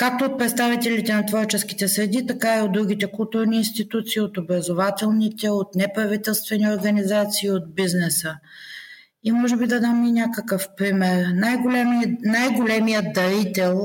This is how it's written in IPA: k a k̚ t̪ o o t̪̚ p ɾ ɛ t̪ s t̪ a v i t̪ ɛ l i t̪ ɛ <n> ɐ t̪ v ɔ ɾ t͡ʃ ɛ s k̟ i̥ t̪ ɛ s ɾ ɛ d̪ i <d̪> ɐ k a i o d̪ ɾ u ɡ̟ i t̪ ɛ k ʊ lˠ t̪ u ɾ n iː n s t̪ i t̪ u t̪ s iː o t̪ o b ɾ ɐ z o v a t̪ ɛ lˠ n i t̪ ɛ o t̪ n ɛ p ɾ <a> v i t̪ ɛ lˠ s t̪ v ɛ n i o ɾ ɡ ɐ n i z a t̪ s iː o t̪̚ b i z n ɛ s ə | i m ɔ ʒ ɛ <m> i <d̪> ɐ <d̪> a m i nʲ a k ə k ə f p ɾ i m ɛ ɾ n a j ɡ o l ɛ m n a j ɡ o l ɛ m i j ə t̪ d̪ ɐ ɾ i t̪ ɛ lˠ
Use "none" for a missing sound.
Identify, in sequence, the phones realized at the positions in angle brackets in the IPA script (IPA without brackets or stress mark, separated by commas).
n, t̪, ɐ, b, d̪, d̪